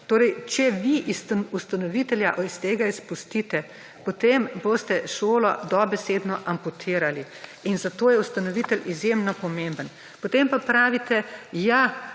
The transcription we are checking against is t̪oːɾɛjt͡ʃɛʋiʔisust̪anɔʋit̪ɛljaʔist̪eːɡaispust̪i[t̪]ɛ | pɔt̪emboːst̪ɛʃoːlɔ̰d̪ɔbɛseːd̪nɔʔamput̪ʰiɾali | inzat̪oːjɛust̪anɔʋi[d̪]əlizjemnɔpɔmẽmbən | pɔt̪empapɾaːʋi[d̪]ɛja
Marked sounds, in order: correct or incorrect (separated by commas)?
correct, incorrect, incorrect